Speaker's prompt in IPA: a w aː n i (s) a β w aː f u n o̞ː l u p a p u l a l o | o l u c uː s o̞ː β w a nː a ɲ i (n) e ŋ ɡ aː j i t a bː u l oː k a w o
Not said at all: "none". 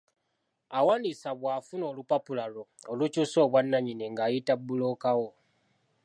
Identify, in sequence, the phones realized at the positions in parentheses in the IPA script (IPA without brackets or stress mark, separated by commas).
s, n